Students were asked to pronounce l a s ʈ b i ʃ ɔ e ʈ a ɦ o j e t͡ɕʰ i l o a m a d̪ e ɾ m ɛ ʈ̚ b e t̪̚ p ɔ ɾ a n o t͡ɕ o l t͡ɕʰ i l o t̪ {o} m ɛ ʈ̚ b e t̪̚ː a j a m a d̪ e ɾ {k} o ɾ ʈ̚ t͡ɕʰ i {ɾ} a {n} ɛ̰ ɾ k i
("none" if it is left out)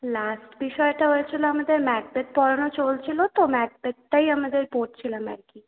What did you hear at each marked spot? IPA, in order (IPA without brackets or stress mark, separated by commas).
o, p, l, m